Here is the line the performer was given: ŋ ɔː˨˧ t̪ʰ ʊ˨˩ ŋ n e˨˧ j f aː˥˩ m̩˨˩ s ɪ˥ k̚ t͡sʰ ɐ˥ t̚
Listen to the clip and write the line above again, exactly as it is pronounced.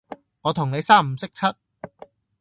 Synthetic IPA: ŋ ɔː˨˧ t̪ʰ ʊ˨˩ ŋ n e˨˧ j s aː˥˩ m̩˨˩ s ɪ˥ k̚ t͡sʰ ɐ˥ t̚

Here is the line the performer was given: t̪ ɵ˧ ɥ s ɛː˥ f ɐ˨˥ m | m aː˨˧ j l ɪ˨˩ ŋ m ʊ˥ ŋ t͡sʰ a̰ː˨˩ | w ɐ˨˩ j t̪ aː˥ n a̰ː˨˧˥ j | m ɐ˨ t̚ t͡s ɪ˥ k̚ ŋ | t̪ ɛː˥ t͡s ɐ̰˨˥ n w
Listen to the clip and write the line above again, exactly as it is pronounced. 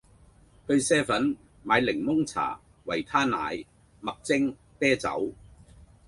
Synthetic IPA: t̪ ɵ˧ ɥ s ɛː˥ f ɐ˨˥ n | m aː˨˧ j l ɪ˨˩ ŋ m ʊ˥ ŋ t͡sʰ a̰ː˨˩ | w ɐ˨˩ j t̪ʰ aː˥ n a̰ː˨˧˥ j | m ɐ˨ k̚ t͡s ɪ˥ ŋ | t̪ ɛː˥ t͡s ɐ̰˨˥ w

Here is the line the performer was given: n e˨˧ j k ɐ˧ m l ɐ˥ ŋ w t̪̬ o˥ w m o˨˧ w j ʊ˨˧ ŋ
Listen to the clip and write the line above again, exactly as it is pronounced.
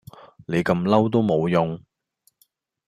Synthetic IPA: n e˨˧ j k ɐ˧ m l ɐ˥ w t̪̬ o˥ w m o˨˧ w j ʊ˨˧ ŋ

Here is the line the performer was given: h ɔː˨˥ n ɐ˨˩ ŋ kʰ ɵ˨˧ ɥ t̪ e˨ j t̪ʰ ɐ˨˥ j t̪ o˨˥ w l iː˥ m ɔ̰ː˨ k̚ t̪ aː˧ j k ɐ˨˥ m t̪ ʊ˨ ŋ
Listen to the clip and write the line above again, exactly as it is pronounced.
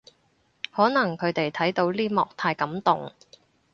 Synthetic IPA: h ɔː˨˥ n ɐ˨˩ ŋ kʰ ɵ˨˧ ɥ t̪ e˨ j t̪ʰ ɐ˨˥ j t̪ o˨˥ w l iː˥ m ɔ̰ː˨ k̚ t̪ʰ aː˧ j k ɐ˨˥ m t̪ ʊ˨ ŋ

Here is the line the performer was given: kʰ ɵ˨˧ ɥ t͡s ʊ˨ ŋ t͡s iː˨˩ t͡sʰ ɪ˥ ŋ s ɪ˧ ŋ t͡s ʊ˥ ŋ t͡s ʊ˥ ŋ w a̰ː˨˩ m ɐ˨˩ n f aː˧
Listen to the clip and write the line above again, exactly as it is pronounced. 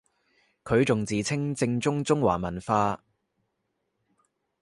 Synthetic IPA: kʰ ɵ˨˧ ɥ t͡s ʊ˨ ŋ t͡s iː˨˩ t͡sʰ ɪ˥ ŋ t͡s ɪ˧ ŋ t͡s ʊ˥ ŋ t͡s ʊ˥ ŋ w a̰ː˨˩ m ɐ˨˩ n f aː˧

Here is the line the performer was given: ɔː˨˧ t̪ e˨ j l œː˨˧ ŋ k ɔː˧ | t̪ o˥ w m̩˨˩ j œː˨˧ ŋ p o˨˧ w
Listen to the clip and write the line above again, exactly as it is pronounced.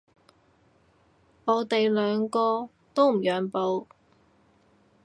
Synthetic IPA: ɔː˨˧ t̪ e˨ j l œː˨˧ ŋ k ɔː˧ | t̪ o˥ w m̩˨˩ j œː˨˧ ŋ p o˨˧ w

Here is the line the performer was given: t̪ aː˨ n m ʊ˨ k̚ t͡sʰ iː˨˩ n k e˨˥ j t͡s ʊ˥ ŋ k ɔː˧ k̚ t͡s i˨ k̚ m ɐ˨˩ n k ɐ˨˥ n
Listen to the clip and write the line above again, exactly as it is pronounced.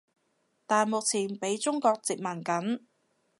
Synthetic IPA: t̪ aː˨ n m ʊ˨ k̚ t͡sʰ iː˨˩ n p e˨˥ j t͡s ʊ˥ ŋ k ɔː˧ k̚ t͡s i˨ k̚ m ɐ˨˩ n k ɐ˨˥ n

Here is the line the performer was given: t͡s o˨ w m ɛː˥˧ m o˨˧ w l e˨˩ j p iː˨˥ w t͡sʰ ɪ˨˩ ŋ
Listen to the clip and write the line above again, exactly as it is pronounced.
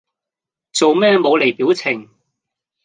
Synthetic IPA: t͡s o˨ w m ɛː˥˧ m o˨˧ w l e˨˩ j p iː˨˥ w t͡sʰ ɪ˨˩ ŋ

